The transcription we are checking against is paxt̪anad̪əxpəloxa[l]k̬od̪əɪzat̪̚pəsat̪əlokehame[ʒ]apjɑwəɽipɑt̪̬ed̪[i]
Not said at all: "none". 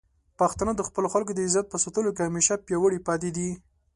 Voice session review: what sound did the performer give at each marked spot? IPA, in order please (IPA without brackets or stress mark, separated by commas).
l, ʃ, i